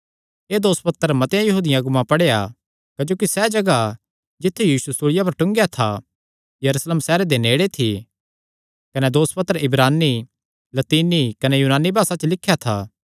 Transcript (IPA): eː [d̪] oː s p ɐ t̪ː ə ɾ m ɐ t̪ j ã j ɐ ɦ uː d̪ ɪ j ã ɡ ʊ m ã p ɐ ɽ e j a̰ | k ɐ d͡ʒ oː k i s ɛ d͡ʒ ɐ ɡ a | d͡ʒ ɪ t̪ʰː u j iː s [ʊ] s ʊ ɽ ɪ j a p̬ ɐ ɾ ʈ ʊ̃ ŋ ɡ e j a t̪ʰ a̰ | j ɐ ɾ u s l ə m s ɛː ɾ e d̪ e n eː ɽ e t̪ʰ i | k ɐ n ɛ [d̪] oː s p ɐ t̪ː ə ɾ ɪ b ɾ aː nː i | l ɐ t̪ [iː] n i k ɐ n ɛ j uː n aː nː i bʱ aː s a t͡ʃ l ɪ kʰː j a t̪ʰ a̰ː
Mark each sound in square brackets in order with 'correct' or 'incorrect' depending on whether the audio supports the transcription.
correct, incorrect, correct, correct

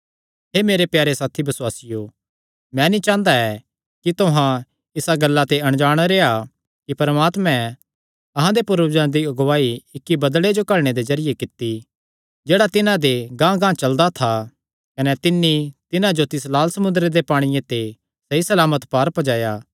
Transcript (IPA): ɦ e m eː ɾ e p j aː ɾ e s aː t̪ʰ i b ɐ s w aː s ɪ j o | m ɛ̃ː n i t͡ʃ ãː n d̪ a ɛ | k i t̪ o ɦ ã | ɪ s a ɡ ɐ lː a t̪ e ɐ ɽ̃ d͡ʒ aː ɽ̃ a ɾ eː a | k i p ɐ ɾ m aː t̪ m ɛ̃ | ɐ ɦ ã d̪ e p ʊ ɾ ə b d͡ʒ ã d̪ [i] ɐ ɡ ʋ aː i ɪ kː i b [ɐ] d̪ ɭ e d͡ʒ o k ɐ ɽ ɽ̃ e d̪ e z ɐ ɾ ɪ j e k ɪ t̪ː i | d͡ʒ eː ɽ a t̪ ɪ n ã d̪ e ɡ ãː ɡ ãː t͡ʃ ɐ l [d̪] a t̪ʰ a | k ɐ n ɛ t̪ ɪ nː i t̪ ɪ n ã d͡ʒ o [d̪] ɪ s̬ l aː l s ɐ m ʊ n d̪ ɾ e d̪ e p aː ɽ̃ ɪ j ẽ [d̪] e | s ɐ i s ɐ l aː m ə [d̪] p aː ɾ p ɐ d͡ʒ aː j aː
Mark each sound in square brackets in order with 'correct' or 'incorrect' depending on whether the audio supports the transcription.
correct, correct, correct, incorrect, incorrect, incorrect

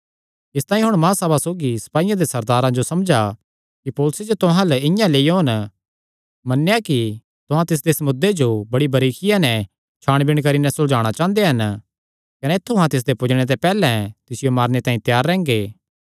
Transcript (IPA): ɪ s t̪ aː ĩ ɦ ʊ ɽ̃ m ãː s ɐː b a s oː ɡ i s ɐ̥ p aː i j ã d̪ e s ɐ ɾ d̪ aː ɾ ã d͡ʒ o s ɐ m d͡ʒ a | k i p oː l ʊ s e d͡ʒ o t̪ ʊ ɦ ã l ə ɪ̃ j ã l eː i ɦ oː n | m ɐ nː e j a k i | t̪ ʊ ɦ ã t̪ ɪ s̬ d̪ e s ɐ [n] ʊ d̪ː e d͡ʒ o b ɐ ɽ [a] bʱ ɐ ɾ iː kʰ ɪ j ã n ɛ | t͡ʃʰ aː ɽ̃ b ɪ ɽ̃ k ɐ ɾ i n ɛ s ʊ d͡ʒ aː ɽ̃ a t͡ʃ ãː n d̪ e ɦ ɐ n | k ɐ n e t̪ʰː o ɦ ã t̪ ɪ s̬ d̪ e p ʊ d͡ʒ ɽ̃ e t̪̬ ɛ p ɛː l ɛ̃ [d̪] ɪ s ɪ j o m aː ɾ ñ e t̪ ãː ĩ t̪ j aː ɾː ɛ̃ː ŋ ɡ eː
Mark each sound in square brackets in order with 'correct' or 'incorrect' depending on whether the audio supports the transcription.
incorrect, incorrect, incorrect

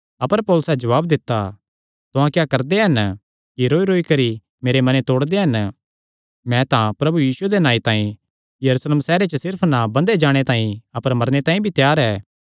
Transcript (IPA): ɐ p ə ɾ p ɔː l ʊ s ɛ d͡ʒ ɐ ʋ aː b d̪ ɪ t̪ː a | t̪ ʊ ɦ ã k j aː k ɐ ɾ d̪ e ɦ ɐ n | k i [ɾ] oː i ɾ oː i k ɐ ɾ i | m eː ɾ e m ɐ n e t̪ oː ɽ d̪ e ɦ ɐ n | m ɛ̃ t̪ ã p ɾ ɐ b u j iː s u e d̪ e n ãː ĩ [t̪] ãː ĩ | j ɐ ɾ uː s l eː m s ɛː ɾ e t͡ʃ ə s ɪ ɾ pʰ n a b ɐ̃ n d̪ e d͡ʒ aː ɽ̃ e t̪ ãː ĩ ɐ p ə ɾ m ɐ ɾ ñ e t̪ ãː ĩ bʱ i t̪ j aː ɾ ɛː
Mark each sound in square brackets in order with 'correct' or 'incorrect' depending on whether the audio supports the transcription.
correct, correct

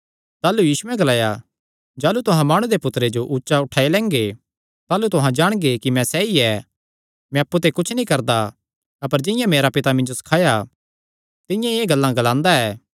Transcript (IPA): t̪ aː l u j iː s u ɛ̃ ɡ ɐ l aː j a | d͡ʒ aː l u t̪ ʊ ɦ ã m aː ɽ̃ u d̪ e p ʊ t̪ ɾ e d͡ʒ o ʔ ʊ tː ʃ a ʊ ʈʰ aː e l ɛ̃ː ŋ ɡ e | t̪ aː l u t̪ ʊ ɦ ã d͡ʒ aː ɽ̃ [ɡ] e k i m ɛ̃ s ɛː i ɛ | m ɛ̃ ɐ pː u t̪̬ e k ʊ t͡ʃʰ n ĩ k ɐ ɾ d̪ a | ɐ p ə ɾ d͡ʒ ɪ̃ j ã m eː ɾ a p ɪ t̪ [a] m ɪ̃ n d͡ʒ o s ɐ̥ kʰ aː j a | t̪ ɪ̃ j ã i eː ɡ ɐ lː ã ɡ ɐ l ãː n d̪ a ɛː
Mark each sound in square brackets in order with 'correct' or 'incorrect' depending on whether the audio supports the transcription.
correct, correct

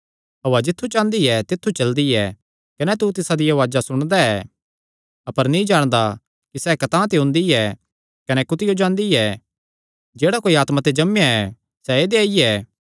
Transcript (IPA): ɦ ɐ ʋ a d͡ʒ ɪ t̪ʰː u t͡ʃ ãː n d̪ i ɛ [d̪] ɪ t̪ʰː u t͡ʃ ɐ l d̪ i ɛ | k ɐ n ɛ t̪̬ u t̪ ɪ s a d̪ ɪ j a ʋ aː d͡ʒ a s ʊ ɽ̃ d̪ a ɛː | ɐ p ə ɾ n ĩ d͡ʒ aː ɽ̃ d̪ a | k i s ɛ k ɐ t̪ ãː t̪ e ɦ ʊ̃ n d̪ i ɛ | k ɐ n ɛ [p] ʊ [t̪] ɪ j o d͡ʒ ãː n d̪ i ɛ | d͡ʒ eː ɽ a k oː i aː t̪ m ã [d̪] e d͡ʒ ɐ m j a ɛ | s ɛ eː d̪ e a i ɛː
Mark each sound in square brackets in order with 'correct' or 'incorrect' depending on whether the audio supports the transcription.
incorrect, incorrect, correct, incorrect

